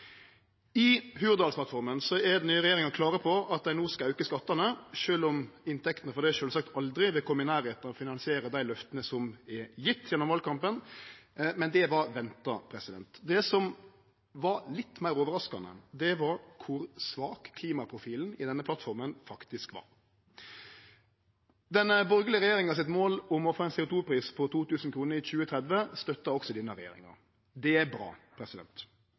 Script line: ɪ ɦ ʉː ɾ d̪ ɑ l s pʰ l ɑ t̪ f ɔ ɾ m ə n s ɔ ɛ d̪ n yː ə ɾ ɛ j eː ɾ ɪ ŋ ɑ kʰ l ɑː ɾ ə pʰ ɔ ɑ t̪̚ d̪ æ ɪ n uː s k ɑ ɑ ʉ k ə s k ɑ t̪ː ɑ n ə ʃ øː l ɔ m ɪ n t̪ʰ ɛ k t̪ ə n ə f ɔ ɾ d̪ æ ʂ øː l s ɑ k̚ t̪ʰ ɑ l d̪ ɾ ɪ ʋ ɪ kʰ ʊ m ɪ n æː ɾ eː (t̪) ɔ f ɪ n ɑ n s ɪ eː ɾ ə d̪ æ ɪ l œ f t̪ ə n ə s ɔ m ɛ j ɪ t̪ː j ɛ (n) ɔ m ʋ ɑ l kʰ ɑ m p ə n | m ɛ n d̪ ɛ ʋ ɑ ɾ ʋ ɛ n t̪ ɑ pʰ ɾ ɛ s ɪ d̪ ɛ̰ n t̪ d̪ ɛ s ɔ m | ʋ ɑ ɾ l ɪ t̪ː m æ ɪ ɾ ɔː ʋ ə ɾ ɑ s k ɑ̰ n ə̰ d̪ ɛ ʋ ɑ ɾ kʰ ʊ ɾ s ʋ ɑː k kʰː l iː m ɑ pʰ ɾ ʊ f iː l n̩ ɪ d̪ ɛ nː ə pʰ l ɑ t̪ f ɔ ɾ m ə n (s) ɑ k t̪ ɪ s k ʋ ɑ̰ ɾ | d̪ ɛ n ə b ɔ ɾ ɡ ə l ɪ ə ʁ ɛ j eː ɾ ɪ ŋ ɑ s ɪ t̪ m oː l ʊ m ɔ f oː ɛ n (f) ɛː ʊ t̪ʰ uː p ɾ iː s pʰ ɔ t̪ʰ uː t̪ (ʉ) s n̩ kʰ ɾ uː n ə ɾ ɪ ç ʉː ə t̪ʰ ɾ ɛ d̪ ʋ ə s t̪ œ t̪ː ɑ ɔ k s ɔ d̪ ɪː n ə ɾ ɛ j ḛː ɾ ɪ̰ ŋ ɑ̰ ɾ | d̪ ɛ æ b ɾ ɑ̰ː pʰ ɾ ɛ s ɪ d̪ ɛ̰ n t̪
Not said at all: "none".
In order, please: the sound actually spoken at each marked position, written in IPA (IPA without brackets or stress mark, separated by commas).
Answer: t̪, nː, f, s, ʉː